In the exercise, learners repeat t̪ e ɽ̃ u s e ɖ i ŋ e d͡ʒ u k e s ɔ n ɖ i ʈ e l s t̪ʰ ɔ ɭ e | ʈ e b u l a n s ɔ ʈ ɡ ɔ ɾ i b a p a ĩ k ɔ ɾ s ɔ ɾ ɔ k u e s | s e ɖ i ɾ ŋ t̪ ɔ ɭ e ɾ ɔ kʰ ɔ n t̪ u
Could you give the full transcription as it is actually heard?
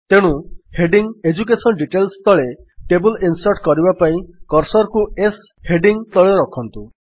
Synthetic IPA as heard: t̪ e ɽ̃ u h e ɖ i ŋ e d͡ʒ u k e s ɔ n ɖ i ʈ e l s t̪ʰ ɔ ɭ e | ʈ e b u l i n s ɔ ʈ k ɔ ɾ i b a p a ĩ k ɔ ɾ s ɔ ɾ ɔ k u e s | h e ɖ i ŋ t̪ ɔ ɭ e ɾ ɔ kʰ ɔ n t̪ u